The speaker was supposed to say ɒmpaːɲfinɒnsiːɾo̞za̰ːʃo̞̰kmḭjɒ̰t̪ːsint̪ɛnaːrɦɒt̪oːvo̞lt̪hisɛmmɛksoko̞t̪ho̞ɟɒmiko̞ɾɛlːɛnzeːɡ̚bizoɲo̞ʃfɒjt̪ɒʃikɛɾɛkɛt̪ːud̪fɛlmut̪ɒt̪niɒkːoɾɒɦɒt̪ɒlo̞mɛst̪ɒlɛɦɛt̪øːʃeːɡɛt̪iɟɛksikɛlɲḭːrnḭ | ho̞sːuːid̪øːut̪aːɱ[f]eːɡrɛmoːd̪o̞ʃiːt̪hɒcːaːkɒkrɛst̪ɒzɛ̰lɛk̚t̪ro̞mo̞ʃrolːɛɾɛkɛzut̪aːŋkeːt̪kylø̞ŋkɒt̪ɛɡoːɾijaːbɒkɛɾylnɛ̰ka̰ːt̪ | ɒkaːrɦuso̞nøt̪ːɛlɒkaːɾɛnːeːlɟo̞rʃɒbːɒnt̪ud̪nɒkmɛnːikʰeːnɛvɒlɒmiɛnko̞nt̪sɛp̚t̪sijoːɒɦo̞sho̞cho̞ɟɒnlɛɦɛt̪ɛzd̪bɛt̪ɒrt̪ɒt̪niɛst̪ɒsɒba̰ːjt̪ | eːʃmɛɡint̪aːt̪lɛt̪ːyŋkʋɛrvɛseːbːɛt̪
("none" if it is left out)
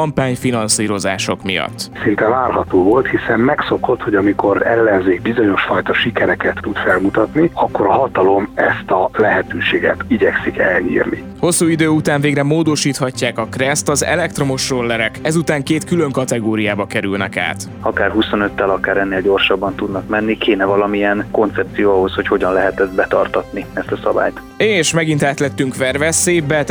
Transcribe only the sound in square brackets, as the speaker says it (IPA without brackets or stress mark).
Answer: v